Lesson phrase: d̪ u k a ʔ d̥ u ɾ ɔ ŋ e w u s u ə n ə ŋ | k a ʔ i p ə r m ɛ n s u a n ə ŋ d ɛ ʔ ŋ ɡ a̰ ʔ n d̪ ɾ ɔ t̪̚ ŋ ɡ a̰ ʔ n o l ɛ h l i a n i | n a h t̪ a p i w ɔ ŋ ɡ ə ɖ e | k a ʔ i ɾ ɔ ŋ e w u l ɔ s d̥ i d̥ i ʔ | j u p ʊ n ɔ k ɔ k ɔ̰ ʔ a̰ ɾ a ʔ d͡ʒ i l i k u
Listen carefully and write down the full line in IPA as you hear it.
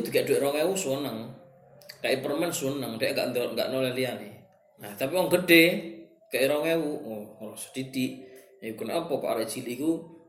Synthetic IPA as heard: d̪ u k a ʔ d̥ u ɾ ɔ ŋ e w u s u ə n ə ŋ | k a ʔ i p ə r m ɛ n s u ə n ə ŋ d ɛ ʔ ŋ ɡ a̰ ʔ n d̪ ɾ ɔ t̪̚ ŋ ɡ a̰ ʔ n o l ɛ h l i a n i | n a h t̪ a p i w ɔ ŋ ɡ ə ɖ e | k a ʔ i ɾ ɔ ŋ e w u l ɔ s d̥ i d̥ i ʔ | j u k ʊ n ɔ p ɔ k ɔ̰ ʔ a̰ ɾ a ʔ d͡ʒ i l i k u